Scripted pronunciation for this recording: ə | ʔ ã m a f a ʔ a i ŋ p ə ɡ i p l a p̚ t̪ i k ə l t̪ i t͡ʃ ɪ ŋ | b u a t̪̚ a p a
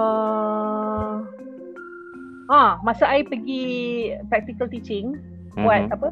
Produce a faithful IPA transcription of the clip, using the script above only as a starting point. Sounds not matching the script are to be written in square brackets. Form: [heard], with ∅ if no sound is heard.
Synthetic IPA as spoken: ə | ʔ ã m a [s] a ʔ a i [∅] p ə ɡ i p [ɾ] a [k̚] t̪ i k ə l t̪ i t͡ʃ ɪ ŋ | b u a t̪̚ a p [ə]